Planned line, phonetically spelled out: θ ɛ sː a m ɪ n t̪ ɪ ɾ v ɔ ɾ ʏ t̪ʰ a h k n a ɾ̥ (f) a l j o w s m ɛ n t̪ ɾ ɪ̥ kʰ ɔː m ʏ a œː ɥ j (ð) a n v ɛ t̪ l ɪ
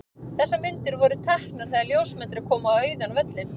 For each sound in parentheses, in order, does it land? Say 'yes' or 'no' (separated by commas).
no, yes